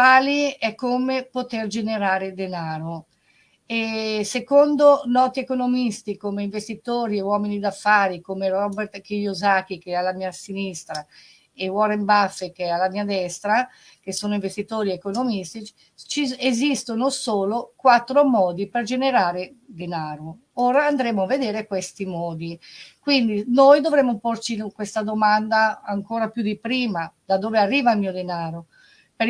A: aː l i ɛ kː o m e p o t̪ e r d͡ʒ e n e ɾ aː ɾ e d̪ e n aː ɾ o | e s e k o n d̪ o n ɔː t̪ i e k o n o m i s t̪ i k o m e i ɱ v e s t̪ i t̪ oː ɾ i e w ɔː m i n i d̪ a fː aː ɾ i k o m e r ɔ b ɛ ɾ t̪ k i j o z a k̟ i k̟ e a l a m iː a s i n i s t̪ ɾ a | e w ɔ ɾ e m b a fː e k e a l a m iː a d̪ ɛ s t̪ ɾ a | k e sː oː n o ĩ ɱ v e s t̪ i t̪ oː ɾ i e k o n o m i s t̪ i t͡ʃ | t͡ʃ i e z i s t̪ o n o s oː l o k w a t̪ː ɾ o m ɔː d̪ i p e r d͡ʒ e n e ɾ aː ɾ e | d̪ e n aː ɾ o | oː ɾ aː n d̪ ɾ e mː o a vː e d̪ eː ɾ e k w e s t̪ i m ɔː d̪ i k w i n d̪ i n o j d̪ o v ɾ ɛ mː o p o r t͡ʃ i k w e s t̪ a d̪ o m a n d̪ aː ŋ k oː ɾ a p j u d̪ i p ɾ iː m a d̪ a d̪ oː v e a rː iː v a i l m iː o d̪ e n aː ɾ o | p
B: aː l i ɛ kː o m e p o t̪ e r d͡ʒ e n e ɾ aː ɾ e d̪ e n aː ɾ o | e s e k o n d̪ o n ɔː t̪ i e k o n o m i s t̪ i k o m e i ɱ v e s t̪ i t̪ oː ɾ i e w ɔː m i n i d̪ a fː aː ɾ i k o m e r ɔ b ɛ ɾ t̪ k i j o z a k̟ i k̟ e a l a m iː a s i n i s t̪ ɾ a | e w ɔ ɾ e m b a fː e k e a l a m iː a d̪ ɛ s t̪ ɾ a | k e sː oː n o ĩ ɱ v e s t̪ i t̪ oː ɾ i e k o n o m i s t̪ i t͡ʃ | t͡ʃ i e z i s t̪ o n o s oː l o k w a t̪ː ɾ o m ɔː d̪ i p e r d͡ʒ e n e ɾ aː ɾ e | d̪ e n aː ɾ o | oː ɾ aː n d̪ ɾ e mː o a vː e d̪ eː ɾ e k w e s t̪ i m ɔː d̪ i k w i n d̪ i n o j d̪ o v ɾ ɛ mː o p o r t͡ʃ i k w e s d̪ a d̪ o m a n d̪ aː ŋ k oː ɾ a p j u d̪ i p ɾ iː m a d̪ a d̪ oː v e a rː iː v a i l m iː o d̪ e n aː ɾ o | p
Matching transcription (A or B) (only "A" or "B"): A